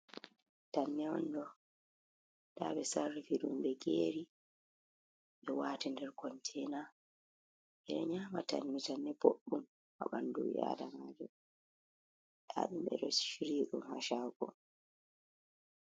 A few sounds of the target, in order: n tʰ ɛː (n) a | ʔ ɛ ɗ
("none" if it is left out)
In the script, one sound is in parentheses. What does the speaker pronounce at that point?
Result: n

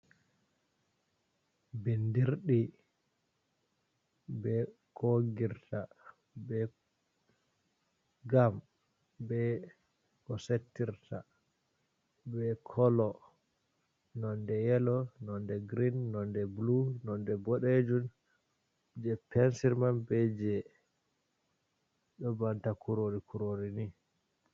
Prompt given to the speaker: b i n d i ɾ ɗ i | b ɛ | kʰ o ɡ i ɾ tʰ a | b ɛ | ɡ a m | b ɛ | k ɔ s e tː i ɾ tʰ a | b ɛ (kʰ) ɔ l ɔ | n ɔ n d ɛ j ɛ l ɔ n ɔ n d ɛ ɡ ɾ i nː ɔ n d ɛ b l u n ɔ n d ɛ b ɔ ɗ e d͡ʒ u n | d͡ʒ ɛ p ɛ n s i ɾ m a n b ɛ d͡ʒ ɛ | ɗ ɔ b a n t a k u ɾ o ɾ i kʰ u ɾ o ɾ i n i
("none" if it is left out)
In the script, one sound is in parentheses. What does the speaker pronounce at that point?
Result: kʰ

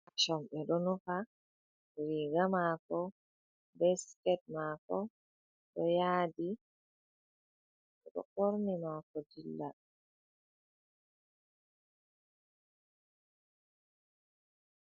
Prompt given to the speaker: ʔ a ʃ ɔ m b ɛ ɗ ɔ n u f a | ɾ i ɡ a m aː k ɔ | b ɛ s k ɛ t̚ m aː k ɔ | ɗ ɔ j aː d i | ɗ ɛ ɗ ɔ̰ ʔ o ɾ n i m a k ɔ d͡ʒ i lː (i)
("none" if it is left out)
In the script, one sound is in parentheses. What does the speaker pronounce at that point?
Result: a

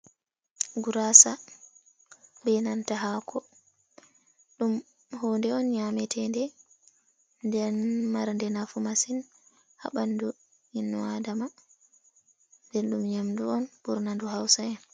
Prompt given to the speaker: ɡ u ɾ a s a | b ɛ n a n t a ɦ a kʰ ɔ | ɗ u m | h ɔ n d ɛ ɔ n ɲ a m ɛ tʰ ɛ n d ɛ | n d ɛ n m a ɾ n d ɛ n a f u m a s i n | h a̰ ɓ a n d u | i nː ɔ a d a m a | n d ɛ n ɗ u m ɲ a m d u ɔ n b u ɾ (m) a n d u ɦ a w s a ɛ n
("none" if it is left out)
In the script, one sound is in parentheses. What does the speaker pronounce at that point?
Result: n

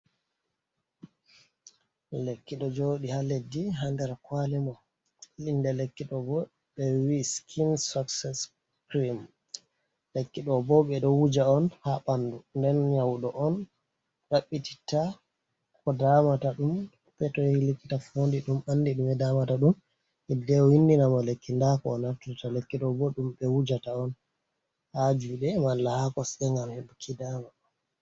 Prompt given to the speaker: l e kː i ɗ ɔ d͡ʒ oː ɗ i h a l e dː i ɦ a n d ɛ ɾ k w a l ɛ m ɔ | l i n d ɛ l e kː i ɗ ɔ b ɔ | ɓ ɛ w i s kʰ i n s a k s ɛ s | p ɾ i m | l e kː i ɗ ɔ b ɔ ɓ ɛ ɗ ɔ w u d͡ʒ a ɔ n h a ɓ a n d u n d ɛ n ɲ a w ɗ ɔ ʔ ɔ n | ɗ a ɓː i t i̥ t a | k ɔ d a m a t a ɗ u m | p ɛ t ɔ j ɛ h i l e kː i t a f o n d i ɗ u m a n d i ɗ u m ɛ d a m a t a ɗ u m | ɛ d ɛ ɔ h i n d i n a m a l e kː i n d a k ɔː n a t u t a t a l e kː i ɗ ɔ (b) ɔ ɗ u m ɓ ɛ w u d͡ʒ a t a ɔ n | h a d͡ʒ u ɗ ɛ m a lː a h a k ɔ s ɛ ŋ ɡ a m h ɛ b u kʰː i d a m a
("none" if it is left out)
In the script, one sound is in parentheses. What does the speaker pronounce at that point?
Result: b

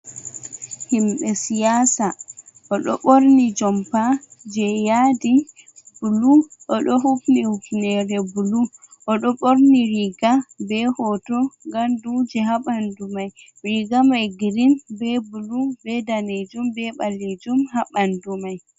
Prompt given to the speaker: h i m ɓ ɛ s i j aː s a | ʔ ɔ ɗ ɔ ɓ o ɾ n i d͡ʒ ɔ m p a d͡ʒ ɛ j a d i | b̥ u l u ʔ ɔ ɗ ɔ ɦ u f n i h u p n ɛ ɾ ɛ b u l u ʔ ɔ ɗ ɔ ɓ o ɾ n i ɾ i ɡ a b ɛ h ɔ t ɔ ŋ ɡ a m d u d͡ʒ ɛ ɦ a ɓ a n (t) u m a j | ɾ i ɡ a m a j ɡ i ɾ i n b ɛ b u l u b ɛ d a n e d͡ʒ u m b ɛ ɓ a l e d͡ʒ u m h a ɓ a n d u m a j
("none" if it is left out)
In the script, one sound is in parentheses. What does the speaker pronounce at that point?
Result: d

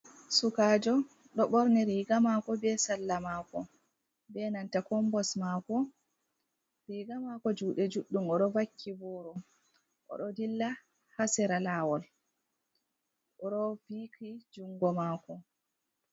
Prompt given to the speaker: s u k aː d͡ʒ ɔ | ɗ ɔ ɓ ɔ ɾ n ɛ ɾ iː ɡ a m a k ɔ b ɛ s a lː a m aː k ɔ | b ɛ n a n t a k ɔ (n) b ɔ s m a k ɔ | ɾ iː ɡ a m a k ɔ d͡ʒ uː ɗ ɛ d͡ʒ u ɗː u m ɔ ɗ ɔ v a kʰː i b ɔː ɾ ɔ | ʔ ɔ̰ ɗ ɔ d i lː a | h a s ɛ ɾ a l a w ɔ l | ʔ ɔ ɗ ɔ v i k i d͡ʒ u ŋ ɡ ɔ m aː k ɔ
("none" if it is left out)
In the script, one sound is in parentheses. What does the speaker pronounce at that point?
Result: m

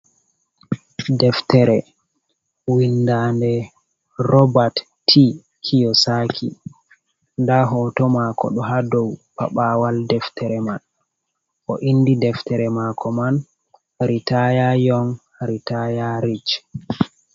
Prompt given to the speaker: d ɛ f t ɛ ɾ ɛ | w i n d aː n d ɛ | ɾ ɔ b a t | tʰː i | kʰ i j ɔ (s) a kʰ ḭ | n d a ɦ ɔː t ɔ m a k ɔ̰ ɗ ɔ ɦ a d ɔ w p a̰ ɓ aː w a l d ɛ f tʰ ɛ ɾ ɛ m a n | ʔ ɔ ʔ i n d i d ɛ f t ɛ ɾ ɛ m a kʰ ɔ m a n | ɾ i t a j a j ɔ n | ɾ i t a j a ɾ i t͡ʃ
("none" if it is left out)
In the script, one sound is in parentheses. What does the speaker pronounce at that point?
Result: s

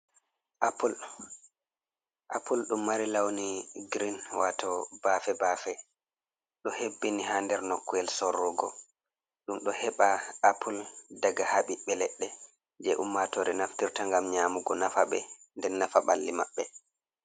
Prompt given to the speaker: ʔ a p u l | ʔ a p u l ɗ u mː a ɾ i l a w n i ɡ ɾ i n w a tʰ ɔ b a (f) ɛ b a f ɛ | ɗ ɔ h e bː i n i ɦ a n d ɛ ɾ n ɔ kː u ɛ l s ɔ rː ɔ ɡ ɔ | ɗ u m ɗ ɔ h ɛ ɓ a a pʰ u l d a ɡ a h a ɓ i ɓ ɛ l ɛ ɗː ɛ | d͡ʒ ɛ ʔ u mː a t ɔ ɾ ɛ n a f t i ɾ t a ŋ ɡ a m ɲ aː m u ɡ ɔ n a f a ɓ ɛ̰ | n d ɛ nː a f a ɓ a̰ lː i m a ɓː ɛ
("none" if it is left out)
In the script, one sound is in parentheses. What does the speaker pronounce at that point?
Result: f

